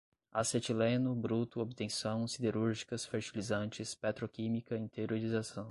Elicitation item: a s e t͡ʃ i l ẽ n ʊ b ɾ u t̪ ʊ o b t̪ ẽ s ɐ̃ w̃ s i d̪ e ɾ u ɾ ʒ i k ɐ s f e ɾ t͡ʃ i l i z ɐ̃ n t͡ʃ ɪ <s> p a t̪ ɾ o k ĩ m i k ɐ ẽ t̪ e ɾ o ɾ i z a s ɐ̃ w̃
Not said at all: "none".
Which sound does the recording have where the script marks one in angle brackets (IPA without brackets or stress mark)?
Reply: s